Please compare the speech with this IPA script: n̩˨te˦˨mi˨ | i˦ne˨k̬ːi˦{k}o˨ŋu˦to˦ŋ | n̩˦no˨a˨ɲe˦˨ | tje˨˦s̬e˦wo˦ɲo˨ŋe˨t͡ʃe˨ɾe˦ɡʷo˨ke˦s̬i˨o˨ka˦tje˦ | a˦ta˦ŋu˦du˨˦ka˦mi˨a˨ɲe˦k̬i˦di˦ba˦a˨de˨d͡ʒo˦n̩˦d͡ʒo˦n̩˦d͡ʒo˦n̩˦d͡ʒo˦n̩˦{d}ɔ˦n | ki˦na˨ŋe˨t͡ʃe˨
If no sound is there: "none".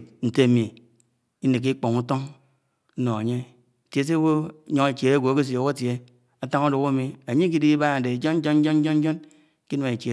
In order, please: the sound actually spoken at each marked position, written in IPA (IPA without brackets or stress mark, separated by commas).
k͡p, d͡ʒ